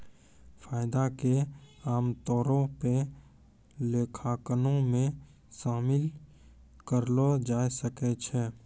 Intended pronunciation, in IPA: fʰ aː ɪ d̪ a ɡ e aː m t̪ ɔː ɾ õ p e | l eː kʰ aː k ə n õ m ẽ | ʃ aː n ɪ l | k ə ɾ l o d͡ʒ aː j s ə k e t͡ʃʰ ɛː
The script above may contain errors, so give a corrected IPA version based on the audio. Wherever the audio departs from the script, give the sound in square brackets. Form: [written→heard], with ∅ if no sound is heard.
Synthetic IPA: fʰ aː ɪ d̪ a [ɡ→k] e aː m t̪ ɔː ɾ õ p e | l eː kʰ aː k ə n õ m ẽ | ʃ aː [n→m] ɪ l | k ə ɾ l o d͡ʒ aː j s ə k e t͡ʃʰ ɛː